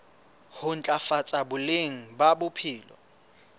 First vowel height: high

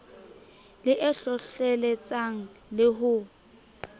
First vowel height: high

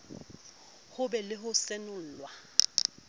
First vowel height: high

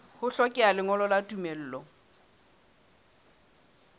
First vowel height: high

